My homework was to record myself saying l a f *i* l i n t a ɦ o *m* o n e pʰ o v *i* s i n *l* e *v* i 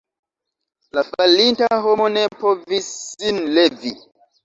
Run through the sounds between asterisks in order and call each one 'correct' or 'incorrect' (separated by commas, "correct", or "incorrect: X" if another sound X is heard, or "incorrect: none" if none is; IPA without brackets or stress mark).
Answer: incorrect: a, correct, correct, correct, correct